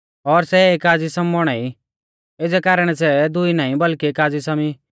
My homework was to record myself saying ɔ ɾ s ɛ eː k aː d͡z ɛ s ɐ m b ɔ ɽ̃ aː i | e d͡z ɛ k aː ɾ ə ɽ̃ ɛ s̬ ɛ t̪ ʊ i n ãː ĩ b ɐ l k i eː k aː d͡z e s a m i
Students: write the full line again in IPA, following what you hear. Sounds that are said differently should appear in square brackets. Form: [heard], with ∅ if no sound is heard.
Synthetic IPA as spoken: ɔ ɾ s ɛ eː k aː d͡z [i] s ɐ m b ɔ ɽ̃ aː i | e d͡z ɛ k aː ɾ ə ɽ̃ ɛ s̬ ɛ [d̪] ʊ i n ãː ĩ b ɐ l k i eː k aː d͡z [i] s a m i